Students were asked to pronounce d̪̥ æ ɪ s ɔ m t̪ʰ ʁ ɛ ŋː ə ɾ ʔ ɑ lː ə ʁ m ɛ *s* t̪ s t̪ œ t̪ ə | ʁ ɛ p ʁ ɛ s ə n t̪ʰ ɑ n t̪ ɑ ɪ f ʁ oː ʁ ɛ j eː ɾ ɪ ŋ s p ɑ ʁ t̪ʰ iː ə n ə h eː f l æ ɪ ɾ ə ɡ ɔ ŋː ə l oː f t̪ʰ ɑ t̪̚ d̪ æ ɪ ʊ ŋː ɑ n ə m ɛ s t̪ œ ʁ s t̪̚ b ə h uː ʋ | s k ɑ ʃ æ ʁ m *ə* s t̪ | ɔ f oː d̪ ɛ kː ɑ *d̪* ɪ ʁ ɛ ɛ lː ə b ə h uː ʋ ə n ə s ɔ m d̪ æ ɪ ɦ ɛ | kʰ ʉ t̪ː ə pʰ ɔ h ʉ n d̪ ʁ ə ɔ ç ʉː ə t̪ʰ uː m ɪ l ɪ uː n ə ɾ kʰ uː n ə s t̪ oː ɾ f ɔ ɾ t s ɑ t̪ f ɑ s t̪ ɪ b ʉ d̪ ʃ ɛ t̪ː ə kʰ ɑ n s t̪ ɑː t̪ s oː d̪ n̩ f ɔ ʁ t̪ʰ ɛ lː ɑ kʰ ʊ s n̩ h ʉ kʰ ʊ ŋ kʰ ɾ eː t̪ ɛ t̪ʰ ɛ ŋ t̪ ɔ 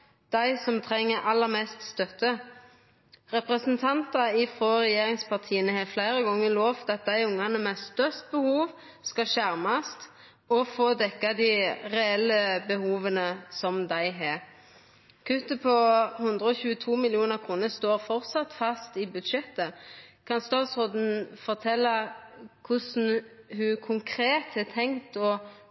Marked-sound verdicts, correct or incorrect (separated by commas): correct, incorrect, correct